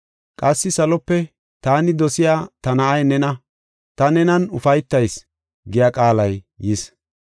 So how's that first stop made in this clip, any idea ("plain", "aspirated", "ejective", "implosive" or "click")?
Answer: ejective